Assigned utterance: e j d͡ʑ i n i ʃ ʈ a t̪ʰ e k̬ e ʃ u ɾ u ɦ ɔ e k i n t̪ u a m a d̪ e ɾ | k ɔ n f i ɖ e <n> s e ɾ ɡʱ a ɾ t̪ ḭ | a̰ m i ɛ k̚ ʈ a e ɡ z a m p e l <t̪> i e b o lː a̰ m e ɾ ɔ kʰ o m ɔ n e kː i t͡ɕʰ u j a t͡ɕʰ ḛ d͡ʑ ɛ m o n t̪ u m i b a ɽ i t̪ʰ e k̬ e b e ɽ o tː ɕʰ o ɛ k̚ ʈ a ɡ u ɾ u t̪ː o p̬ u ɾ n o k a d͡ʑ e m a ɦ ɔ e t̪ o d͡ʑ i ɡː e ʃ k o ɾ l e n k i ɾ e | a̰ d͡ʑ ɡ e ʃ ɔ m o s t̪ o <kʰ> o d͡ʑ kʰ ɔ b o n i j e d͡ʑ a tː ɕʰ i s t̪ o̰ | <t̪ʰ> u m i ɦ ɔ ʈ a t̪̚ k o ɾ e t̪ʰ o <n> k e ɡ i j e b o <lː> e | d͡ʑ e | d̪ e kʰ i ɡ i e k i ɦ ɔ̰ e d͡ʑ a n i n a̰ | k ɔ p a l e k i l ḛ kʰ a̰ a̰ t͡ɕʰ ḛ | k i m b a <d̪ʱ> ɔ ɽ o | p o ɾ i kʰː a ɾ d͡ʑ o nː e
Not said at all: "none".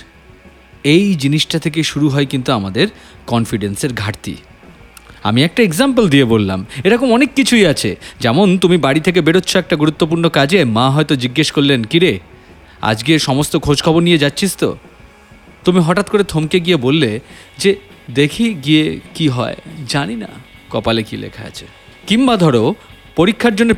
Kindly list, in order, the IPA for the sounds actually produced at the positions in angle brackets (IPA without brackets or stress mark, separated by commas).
n, d̪, kʰ, t̪, m, lː, d̪ʱ